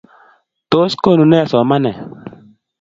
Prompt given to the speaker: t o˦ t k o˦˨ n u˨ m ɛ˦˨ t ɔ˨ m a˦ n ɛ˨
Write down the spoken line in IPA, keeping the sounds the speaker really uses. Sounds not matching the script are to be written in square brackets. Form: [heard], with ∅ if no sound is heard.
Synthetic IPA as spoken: t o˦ [s] k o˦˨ n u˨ [n] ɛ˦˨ [s] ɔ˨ m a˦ n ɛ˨